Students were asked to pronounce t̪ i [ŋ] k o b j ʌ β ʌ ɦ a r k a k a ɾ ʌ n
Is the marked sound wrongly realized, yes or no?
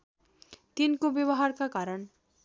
yes